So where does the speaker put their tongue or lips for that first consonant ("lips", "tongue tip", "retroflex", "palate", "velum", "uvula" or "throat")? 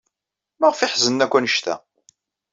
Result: lips